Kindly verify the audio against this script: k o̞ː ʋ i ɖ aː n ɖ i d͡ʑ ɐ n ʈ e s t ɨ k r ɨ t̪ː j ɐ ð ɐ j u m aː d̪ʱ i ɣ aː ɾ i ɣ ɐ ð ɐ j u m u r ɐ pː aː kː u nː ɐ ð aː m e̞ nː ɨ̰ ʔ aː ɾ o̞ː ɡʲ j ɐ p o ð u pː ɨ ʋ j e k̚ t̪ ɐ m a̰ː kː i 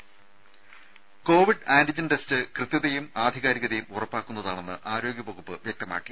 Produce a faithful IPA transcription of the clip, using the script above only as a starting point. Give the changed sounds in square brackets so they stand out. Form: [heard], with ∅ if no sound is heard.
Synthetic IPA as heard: k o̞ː ʋ i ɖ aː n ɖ i d͡ʑ ɐ n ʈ e s t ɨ k r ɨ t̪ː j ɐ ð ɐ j u m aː d̪ʱ i ɣ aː ɾ i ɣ ɐ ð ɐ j u m u r ɐ pː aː kː u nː ɐ ð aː [ɳ] e̞ nː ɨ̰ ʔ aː ɾ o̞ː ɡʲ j ɐ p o [ɣ] u pː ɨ ʋ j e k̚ t̪ ɐ m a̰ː kː i

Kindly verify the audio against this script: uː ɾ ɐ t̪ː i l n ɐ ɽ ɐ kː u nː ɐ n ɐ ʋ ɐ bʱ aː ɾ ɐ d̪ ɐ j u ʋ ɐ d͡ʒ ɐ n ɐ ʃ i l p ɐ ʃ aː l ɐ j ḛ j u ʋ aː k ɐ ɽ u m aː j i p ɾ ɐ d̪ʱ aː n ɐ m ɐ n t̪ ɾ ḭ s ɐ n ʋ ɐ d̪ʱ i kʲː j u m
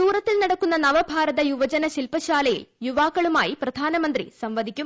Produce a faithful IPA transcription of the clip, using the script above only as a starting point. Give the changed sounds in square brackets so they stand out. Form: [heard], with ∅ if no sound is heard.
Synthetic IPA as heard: uː ɾ ɐ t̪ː i l n ɐ ɽ ɐ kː u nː ɐ n ɐ ʋ ɐ bʱ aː ɾ ɐ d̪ ɐ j u ʋ ɐ d͡ʒ ɐ n ɐ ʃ i l p ɐ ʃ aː l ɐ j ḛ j u ʋ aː k ɐ [ɭ] u m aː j i p ɾ ɐ d̪ʱ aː n ɐ m ɐ n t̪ ɾ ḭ s ɐ [m] ʋ ɐ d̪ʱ i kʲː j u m

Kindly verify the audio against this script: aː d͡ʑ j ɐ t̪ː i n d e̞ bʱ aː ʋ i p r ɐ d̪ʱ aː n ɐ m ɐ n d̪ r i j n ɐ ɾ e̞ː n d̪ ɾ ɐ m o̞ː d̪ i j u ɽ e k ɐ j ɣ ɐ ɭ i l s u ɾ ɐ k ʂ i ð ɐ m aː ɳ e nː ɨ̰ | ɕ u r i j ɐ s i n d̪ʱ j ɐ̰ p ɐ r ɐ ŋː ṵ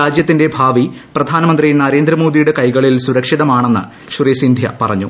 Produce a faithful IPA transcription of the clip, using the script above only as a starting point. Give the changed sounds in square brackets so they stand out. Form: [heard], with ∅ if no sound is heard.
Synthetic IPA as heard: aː d͡ʑ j ɐ t̪ː i n d e̞ bʱ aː ʋ i p r ɐ d̪ʱ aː n ɐ m ɐ n d̪ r i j n ɐ ɾ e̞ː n d̪ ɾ ɐ m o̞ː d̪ i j u ɽ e k ɐ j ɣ ɐ ɭ i l s u ɾ ɐ k ʂ i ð ɐ m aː ɳ e nː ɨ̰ | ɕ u r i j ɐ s i n d̪ʱ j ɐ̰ p ɐ r ɐ [ɲː] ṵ

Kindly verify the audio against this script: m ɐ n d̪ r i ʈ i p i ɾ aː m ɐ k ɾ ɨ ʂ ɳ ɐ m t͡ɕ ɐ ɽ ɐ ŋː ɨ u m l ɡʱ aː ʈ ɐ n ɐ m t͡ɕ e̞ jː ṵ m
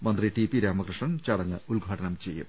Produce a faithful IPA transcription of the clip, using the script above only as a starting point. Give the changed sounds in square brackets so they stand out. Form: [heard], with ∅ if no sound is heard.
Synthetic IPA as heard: m ɐ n d̪ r i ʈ i p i ɾ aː m ɐ k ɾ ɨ ʂ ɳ ɐ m t͡ɕ ɐ ɽ ɐ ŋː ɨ u [∅] l ɡʱ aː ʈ ɐ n ɐ m t͡ɕ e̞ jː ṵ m

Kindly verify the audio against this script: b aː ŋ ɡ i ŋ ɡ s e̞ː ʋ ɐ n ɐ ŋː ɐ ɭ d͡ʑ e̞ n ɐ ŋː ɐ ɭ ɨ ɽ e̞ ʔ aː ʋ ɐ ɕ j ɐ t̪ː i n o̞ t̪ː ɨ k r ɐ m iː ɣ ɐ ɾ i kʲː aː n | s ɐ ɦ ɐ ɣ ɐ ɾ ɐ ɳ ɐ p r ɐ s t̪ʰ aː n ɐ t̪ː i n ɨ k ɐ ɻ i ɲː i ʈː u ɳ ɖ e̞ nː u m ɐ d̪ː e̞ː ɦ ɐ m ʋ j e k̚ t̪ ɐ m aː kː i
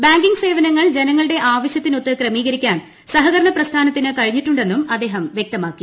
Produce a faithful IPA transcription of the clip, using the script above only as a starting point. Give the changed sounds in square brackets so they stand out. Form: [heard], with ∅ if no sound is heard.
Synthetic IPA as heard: b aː ŋ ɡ i ŋ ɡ s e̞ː ʋ ɐ n ɐ ŋː ɐ ɭ d͡ʑ e̞ n ɐ ŋː ɐ ɭ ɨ ɽ e̞ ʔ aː ʋ ɐ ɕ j ɐ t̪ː i n o̞ t̪ː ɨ k r ɐ m iː ɣ ɐ ɾ i kʲː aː n | s ɐ ɦ ɐ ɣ ɐ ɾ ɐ ɳ ɐ p r ɐ s t̪ʰ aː n ɐ t̪ː i n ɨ k ɐ ɻ i ɲː i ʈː u ɳ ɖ e̞ nː u m ɐ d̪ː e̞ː ɦ ɐ m ʋ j e k̚ t̪ ɐ m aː kː i

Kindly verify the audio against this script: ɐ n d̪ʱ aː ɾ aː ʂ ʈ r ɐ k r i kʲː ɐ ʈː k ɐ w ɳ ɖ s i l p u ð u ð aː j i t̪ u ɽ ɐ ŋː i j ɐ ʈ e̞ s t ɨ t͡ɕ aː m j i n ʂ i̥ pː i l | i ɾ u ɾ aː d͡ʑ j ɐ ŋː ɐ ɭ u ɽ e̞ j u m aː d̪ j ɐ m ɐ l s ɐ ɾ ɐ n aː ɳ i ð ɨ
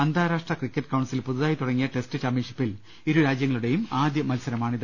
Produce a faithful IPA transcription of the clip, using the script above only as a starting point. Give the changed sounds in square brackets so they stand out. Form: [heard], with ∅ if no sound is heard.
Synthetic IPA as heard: ɐ n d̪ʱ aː ɾ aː ʂ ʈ r ɐ k r i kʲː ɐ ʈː k ɐ w ɳ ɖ s i l p u ð u ð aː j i t̪ u ɽ ɐ ŋː i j ɐ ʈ e̞ s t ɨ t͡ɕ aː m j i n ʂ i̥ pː i l | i ɾ u ɾ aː d͡ʑ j ɐ ŋː ɐ ɭ u ɽ e̞ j u m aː d̪ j ɐ m ɐ l s ɐ ɾ ɐ [m] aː ɳ i ð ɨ

